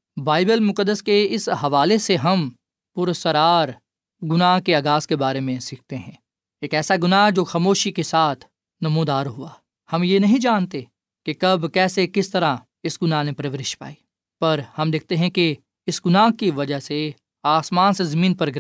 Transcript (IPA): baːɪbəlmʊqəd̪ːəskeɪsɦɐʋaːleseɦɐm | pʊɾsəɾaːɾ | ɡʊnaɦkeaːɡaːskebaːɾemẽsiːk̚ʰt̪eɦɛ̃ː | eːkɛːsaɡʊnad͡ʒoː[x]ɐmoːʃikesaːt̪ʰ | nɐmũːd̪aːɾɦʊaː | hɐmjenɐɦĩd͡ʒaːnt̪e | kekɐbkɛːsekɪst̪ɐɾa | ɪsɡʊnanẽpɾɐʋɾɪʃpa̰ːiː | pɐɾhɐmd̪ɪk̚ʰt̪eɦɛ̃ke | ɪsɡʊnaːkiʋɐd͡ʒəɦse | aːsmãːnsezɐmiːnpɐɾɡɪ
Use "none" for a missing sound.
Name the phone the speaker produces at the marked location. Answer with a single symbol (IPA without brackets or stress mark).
x